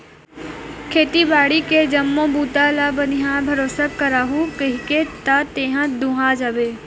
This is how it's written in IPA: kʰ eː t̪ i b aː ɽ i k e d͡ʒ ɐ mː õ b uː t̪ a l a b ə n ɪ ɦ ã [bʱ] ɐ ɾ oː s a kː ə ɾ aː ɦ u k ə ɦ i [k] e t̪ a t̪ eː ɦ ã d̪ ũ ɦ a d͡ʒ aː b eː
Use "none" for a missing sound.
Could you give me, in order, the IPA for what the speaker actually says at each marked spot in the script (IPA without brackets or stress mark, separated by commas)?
bʱ, k